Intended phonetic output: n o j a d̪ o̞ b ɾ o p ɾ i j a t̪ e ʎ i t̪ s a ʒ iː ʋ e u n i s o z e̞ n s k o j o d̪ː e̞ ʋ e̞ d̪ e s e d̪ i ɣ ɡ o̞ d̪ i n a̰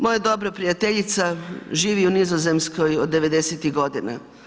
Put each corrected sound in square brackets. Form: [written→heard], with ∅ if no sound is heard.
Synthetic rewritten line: [n→m] o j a d̪ o̞ b ɾ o p ɾ i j a t̪ e ʎ i t̪ s a ʒ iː ʋ [e→i] u n i [s→z] o z e̞ [n→m] s k o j o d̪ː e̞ ʋ e̞ d̪ e s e [d̪→t̪] i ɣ ɡ o̞ d̪ i n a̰